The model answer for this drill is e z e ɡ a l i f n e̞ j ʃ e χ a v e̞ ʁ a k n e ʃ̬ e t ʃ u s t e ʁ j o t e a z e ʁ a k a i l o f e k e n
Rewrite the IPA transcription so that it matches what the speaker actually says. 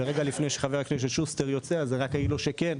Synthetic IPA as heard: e ʁ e ɡ a l i f n e̞ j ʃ e χ a v e̞ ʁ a k n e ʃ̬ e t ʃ u s t e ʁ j o t͡s e a z e ʁ a k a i l o ʃ e k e n